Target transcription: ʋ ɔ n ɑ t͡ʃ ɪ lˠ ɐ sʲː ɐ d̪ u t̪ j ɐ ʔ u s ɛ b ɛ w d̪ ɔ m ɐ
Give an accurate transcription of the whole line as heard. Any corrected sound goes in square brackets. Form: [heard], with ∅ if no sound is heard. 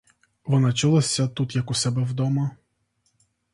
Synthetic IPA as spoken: ʋ ɔ n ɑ t͡ʃ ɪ lˠ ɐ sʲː ɐ [t̪] u t̪ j ɐ [k] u s ɛ b ɛ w d̪ ɔ m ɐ